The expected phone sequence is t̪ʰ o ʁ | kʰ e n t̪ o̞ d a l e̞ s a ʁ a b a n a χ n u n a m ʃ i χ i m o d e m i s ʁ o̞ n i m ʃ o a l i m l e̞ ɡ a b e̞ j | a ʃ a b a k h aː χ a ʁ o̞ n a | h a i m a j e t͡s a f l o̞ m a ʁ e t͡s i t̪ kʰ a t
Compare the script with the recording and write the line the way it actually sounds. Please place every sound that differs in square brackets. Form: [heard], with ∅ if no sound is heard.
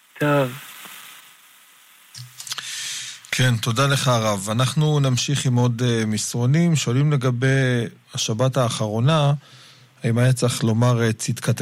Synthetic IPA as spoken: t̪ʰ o [v] | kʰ e n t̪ o̞ d a l e̞ [χ] a ʁ a [v] a n a χ n u n a m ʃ i χ i m o d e m i s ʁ o̞ n i m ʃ o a l i m l e̞ ɡ a b e̞ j | a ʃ a b a [t] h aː χ a ʁ o̞ n a | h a i m a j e t͡s a [χ] l o̞ m a ʁ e t͡s i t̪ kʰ a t